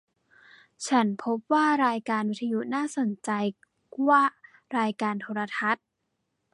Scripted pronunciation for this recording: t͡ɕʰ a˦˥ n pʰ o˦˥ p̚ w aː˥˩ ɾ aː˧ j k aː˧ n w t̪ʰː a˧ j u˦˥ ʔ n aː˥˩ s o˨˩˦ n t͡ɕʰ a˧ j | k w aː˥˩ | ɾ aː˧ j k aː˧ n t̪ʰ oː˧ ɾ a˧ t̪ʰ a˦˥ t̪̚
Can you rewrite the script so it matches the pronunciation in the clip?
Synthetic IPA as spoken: t͡ɕʰ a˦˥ n pʰ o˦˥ p̚ w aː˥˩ ɾ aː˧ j k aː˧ n w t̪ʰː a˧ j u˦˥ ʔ n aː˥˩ s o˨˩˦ n t͡ɕ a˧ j | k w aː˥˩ | ɾ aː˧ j k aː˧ n t̪ʰ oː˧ ɾ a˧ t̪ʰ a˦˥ t̪̚